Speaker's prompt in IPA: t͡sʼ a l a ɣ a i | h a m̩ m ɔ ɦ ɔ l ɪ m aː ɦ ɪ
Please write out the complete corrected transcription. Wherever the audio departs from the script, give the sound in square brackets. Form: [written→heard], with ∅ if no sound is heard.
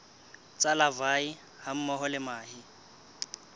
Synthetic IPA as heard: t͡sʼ a l a [ɣ→v] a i | h a m̩ m ɔ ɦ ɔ l ɪ m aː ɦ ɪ